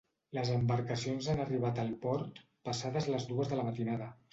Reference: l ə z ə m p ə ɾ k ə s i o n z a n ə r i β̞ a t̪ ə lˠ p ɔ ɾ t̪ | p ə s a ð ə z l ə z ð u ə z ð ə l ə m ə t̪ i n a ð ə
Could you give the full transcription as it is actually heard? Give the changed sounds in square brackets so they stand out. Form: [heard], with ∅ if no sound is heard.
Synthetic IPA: l ə z ə m [b] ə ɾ k ə s i o n z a n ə r i β̞ a t̪ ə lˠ p ɔ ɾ t̪ | p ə s a ð ə z l ə z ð u ə z ð ə l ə m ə t̪ i n a ð ə